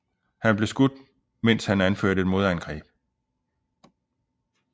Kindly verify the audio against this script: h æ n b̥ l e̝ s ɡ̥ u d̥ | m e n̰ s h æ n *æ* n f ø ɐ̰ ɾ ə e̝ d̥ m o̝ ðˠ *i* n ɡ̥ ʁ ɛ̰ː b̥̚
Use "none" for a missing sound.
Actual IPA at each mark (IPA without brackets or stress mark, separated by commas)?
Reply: æ, æ